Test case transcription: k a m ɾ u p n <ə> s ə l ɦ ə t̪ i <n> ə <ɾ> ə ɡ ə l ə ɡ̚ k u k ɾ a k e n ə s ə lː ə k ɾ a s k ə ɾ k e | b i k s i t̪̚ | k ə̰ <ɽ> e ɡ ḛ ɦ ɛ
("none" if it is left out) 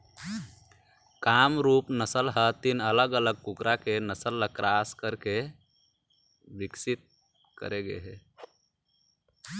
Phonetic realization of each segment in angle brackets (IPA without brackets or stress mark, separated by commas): ə, n, l, ɾ